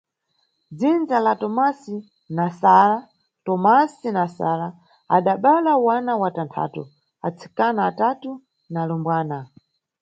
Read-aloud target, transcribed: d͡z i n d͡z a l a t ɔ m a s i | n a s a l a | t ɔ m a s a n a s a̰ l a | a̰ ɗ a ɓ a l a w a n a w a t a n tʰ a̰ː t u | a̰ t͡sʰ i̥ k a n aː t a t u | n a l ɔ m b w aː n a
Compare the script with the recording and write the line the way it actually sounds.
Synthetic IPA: d͡z i n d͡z a l a t ɔ m a s i | n a s a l a | t ɔ m a s i n a s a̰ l a | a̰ ɗ a ɓ a l a w a n a w a t a n tʰ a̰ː t u | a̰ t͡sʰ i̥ k a n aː t a t u | n a l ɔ m b w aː n a